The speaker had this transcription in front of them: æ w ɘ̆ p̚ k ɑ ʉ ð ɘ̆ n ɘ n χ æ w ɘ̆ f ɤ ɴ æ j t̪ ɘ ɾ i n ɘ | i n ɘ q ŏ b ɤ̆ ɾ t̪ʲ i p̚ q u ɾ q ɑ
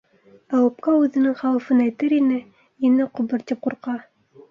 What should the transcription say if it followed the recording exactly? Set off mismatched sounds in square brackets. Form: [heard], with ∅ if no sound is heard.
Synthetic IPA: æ w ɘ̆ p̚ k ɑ ʉ ð ɘ̆ n ɘ [ŋ] χ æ w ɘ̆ f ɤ [n] æ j t̪ ɘ ɾ i n ɘ | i n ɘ q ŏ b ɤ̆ ɾ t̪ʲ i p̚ q u ɾ q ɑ

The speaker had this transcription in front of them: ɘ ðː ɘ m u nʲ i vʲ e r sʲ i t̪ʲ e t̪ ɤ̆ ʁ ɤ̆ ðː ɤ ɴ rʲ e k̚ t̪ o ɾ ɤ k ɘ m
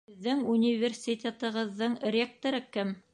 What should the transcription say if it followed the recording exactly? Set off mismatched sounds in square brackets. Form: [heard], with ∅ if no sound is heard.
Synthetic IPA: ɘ ðː ɘ [ŋ] u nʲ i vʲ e r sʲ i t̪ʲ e t̪ ɤ̆ ʁ ɤ̆ ðː ɤ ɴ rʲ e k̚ t̪ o ɾ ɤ k ɘ m

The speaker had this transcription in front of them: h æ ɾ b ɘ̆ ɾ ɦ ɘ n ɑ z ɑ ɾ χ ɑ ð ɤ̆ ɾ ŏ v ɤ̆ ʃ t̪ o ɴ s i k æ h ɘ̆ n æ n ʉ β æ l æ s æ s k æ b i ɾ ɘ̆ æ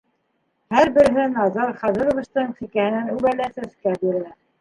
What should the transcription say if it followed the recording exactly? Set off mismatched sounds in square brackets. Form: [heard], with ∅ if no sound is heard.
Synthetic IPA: h æ ɾ b ɘ̆ ɾ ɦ ɘ n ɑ z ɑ ɾ χ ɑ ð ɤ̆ ɾ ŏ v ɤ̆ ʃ t̪ [ɤ] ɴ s i k æ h ɘ̆ n æ n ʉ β æ l æ s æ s k æ b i ɾ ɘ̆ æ

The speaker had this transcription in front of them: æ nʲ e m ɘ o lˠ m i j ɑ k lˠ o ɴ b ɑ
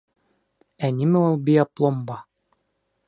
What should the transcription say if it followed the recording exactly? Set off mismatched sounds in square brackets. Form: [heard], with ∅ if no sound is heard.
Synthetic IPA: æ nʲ [i] m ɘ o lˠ [b] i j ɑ [p] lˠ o [m] b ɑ

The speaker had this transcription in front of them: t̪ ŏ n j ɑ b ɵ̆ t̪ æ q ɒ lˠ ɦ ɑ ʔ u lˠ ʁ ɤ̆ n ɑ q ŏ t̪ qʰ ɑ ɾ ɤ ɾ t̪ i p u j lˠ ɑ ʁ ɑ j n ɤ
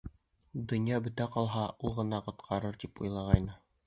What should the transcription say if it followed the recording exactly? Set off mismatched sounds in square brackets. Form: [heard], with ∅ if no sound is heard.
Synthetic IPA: [d̪] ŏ n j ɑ b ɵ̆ t̪ æ q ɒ lˠ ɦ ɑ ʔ u lˠ ʁ ɤ̆ n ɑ q ŏ t̪ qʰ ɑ ɾ ɤ ɾ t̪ i p u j lˠ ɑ ʁ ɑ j n ɤ

